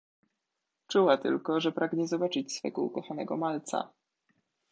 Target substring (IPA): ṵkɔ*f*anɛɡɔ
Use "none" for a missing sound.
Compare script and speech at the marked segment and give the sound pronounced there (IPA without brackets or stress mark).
x